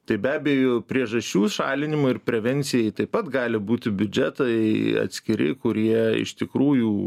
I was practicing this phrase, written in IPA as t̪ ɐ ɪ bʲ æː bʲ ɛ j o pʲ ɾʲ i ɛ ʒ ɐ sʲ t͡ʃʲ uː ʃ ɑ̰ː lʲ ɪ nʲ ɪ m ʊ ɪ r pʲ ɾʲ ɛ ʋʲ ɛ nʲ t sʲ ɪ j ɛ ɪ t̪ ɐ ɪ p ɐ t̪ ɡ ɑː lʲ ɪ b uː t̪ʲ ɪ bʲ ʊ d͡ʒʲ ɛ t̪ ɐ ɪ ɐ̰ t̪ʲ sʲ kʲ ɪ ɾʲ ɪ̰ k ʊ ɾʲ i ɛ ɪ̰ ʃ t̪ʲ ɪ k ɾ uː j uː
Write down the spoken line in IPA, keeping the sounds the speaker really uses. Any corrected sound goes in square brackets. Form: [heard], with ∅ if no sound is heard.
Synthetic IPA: t̪ ɐ ɪ bʲ æː bʲ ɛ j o pʲ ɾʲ i ɛ ʒ ɐ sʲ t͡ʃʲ uː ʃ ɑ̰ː lʲ ɪ nʲ ɪ m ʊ ɪ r pʲ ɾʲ ɛ ʋʲ ɛ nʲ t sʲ ɪ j ɛ ɪ t̪ ɐ ɪ p ɐ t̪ ɡ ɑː lʲ ɪ b uː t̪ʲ ɪ bʲ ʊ d͡ʒʲ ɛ t̪ ɐ ɪ ɐ̰ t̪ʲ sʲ kʲ ɪ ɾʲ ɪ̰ k ʊ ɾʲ i ɛ ɪ̰ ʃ t̪ʲ ɪ k ɾ uː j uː

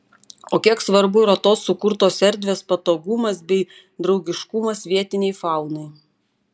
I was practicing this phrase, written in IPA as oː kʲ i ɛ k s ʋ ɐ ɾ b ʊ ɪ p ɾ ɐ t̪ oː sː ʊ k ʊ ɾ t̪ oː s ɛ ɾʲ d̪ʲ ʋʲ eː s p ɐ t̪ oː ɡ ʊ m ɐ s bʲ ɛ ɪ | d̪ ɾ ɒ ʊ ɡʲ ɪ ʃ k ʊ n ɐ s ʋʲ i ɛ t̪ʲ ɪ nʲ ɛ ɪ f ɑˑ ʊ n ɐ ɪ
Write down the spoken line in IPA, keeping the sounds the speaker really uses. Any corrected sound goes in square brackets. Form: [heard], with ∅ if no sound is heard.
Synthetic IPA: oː kʲ i ɛ k s ʋ ɐ ɾ b ʊ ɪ [∅] ɾ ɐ t̪ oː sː ʊ k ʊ ɾ t̪ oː s ɛ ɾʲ d̪ʲ ʋʲ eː s p ɐ t̪ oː ɡ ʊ m ɐ s bʲ ɛ ɪ | d̪ ɾ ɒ ʊ ɡʲ ɪ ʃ k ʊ [m] ɐ s ʋʲ i ɛ t̪ʲ ɪ nʲ ɛ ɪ f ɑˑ ʊ n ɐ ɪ

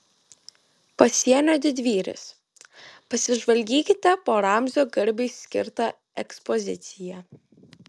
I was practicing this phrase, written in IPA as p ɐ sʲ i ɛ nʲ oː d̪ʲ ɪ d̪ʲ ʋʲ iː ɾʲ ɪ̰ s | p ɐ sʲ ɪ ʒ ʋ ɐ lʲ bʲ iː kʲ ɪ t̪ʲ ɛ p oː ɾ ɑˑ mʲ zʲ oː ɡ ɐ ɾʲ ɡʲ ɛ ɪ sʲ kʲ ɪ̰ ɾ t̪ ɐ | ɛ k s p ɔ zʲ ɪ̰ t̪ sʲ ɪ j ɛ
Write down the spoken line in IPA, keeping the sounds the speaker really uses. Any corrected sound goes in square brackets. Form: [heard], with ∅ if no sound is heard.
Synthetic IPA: p ɐ sʲ i ɛ nʲ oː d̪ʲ ɪ d̪ʲ ʋʲ iː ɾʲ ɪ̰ s | p ɐ sʲ ɪ ʒ ʋ ɐ lʲ [ɡʲ] iː kʲ ɪ t̪ʲ ɛ p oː ɾ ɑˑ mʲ zʲ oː ɡ ɐ ɾʲ [bʲ] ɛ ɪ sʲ kʲ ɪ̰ ɾ t̪ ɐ | ɛ k s p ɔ zʲ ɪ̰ t̪ sʲ ɪ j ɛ

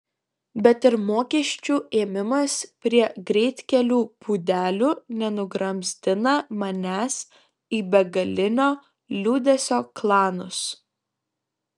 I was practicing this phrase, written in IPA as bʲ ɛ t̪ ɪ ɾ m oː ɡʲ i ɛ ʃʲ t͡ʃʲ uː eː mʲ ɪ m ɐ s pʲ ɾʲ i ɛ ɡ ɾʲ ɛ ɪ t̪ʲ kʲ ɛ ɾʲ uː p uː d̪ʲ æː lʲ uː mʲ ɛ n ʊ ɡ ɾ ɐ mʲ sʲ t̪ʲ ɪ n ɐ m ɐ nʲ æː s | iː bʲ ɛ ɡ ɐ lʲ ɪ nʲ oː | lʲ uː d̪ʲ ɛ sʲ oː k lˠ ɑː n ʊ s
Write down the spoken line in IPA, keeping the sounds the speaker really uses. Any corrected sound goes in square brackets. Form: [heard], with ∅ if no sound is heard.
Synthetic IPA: bʲ ɛ t̪ ɪ ɾ m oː [kʲ] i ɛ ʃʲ t͡ʃʲ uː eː mʲ ɪ m ɐ s pʲ ɾʲ i ɛ ɡ ɾʲ ɛ ɪ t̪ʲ kʲ ɛ [lʲ] uː p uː d̪ʲ æː lʲ uː [nʲ] ɛ n ʊ ɡ ɾ ɐ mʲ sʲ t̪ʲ ɪ n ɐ m ɐ nʲ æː s | iː bʲ ɛ ɡ ɐ lʲ ɪ nʲ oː | lʲ uː d̪ʲ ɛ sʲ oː k lˠ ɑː n ʊ s

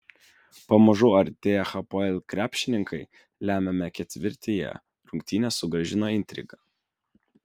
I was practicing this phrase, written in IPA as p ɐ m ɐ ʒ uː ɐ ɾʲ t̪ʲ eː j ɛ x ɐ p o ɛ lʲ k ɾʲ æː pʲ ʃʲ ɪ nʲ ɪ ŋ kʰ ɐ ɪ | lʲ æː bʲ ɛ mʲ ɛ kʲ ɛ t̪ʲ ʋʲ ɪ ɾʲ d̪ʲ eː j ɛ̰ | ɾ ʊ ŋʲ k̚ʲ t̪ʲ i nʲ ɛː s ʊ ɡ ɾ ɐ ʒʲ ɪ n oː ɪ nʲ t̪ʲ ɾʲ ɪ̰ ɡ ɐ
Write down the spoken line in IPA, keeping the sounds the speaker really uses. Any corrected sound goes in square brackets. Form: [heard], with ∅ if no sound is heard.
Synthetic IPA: p ɐ m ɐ ʒ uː ɐ ɾʲ t̪ʲ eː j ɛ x ɐ p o ɛ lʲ k ɾʲ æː pʲ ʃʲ ɪ nʲ ɪ ŋ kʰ ɐ ɪ | lʲ æː [mʲ] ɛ mʲ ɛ kʲ ɛ t̪ʲ ʋʲ ɪ ɾʲ [t̪ʲ] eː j ɛ̰ | ɾ ʊ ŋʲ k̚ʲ t̪ʲ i nʲ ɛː s ʊ ɡ ɾ ɐ ʒʲ ɪ n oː ɪ nʲ t̪ʲ ɾʲ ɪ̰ ɡ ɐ

